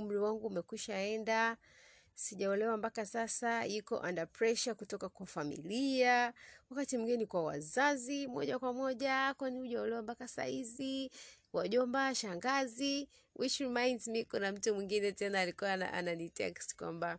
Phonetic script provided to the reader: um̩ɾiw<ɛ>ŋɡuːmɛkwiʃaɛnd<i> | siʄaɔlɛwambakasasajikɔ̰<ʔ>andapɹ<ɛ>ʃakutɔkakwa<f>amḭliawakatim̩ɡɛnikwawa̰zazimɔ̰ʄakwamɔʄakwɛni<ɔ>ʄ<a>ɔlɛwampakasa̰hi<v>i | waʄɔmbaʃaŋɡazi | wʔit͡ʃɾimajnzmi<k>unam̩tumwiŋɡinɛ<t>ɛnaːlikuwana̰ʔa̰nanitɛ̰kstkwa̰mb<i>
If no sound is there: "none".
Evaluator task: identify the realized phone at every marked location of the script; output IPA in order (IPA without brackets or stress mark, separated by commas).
a, a, ʔ, ɛ, f, u, a, z, k, t, a